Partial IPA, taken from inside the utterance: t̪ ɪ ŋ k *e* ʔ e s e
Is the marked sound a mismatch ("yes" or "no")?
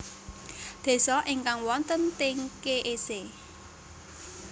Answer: no